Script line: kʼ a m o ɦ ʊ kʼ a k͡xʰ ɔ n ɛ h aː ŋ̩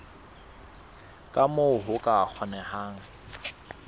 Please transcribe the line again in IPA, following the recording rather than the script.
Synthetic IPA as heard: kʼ a m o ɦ ʊ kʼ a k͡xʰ ɔ n ɛ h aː ŋ̩